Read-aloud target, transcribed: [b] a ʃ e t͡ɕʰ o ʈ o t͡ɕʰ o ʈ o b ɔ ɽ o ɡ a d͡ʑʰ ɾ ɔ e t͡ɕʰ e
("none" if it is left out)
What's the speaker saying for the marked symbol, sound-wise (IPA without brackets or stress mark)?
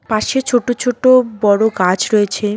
p